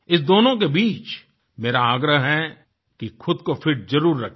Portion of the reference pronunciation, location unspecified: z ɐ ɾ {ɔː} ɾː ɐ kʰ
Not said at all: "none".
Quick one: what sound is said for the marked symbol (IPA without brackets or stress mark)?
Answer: uː